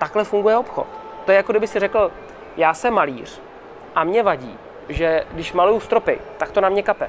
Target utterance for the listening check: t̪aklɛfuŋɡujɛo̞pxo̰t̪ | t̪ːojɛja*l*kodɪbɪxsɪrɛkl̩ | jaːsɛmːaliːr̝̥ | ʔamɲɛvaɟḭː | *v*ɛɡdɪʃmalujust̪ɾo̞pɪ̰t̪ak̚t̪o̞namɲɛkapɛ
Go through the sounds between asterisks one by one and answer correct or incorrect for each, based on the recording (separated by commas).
incorrect, incorrect